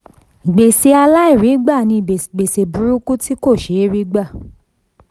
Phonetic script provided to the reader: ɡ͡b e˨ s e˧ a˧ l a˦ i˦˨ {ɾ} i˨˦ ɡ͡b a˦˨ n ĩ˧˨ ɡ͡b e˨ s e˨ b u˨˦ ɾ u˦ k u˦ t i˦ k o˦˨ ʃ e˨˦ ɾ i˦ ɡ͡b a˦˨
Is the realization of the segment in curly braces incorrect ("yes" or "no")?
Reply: no